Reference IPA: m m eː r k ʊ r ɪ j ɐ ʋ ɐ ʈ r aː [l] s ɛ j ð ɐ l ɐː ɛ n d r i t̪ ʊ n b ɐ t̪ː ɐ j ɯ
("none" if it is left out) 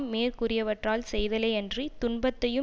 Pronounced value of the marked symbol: l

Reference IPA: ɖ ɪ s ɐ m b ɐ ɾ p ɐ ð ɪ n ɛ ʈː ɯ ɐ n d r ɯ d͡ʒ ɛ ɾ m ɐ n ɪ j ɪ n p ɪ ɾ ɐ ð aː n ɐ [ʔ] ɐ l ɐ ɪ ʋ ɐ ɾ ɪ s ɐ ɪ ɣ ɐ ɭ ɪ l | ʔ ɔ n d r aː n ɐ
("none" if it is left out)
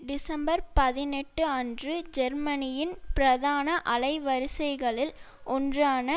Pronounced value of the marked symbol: ʔ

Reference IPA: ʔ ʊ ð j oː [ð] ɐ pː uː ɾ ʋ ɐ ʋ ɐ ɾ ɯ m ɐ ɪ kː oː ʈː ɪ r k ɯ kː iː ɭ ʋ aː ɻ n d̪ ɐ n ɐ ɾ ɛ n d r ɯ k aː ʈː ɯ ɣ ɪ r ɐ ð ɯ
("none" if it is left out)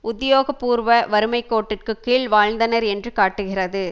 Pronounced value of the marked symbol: ɣ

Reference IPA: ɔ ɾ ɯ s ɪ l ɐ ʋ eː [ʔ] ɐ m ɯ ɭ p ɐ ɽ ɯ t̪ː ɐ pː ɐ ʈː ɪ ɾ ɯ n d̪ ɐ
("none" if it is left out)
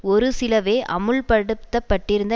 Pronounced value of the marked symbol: ʔ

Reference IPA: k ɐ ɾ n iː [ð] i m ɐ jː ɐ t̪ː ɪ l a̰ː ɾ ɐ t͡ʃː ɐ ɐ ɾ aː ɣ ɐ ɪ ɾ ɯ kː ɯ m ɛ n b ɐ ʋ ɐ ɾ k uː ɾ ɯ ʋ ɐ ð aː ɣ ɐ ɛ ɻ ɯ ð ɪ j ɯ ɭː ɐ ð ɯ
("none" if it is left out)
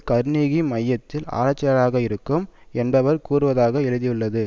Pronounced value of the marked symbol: ɣ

